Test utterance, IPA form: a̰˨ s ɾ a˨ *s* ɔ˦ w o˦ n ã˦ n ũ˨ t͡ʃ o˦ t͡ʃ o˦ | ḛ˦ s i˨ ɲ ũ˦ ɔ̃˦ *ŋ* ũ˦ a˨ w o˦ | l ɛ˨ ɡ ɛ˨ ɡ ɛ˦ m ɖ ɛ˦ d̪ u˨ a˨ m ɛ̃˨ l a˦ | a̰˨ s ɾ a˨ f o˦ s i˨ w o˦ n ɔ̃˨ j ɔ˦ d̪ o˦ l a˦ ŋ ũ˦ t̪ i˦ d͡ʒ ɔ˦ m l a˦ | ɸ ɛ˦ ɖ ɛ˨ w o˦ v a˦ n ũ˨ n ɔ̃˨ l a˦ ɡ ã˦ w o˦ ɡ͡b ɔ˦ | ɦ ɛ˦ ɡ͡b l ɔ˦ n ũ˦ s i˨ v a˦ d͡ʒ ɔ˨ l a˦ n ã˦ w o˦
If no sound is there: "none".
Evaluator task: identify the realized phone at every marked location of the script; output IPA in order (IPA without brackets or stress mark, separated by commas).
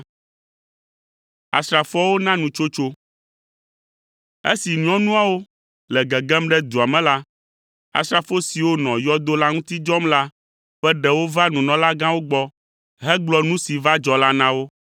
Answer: f, n